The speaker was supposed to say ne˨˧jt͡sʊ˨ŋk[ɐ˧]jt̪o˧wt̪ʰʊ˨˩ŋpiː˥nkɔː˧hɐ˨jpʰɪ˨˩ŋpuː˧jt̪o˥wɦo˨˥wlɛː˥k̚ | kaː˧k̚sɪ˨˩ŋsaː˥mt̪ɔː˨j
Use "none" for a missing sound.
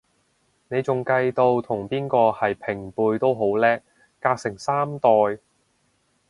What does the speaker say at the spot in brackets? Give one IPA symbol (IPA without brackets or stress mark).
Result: ɐ˧